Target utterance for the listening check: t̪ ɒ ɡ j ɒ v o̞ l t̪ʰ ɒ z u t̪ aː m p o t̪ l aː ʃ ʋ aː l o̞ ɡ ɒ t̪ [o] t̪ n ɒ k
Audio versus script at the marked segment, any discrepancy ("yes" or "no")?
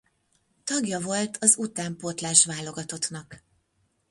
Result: no